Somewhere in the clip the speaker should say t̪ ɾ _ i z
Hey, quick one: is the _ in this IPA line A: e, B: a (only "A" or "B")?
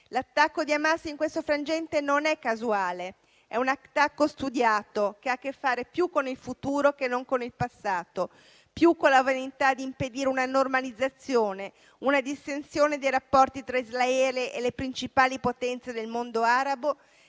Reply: B